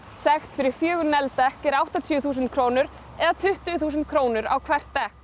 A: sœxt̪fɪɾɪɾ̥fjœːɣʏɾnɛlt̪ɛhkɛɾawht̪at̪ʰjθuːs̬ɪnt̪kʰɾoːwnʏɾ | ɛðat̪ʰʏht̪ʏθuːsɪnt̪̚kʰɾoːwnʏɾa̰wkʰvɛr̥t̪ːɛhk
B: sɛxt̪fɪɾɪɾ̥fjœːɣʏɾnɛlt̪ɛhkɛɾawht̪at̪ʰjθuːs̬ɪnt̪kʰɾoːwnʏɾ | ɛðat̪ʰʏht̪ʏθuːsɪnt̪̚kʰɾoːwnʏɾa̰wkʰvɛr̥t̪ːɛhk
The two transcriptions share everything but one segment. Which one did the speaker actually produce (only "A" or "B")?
B